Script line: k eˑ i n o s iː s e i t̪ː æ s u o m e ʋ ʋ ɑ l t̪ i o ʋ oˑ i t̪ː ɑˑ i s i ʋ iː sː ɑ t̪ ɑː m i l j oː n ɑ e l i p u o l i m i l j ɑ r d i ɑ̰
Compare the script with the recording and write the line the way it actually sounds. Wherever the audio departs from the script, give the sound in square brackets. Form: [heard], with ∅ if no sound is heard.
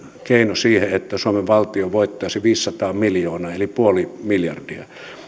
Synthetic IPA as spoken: k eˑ i n o s iː [h] e [e] t̪ː æ s u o m e ʋ ʋ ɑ l t̪ i o ʋ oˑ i t̪ː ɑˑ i s i ʋ iː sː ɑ t̪ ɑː m i l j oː n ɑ e l i p u o l i m i l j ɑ r d i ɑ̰